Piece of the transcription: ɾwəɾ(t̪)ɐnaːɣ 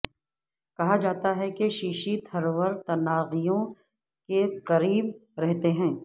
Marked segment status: correct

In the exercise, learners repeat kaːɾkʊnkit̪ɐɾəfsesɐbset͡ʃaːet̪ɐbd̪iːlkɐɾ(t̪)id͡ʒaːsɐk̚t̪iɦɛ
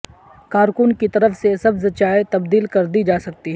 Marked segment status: incorrect: d̪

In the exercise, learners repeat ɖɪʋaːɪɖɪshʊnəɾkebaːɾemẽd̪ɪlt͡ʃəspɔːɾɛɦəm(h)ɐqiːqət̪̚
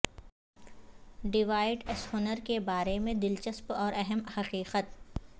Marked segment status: correct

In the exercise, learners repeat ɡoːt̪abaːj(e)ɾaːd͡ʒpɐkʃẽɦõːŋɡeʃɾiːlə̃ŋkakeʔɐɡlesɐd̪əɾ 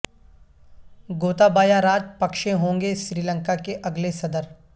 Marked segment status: incorrect: a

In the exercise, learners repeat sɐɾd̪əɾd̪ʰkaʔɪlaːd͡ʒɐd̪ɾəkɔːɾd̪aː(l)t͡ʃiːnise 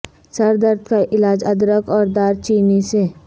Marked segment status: incorrect: ɾ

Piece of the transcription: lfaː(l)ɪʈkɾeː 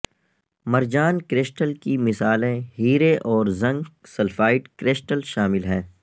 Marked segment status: incorrect: none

